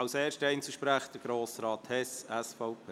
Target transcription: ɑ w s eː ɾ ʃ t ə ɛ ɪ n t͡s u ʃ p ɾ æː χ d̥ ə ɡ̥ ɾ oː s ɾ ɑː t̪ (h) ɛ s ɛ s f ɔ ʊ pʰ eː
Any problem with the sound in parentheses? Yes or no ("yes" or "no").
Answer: no